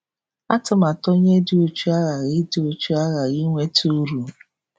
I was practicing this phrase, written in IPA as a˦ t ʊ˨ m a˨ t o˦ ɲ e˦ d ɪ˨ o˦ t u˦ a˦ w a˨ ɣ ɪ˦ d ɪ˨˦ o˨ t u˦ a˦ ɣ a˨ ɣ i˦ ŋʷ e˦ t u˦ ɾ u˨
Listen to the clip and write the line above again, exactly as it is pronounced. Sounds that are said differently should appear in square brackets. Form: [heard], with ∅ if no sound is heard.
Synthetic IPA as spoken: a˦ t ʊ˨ m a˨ t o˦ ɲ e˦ d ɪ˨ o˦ [t͡ʃ] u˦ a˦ [ɣ] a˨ ɣ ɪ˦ d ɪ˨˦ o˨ [t͡ʃ] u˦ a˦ ɣ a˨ ɣ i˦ ŋʷ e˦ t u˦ ɾ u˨